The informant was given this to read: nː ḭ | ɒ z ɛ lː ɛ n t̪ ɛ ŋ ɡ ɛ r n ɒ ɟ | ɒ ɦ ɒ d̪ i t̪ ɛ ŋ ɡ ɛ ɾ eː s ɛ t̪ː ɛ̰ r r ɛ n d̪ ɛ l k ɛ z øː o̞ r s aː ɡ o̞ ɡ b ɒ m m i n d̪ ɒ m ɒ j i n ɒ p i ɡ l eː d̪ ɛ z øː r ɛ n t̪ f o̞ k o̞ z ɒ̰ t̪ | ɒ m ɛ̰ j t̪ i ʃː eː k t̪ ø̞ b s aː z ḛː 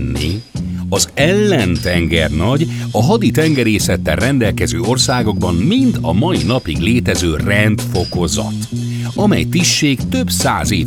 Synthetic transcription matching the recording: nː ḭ | ɒ z ɛ lː ɛ n t̪ ɛ ŋ ɡ ɛ r n ɒ ɟ | ɒ ɦ ɒ d̪ i t̪ ɛ ŋ ɡ ɛ ɾ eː s ɛ t̪ː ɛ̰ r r ɛ n d̪ ɛ l k ɛ z øː o̞ r s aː ɡ o̞ ɡ b ɒ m m i n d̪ ɒ m ɒ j i n ɒ p i ɡ l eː t̪ ɛ z øː r ɛ n t̪ f o̞ k o̞ z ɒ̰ t̪ | ɒ m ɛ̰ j t̪ i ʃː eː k t̪ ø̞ b s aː z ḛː